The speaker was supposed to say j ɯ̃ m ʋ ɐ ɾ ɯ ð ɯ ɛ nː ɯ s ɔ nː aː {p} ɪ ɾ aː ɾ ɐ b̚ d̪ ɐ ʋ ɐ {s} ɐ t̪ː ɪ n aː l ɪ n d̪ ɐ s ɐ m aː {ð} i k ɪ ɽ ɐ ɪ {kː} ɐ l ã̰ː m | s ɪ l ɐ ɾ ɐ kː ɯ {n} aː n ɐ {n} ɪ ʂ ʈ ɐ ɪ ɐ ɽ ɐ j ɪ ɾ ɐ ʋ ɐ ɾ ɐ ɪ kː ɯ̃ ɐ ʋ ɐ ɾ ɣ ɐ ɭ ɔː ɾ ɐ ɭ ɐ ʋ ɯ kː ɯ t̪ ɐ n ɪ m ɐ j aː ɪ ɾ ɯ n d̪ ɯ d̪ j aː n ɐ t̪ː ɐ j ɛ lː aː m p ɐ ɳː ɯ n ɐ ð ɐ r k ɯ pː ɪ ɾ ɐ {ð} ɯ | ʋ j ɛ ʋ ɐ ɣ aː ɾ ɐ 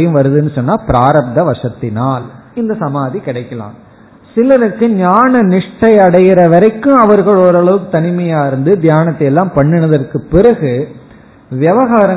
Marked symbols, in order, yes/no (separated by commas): yes, no, yes, yes, no, yes, no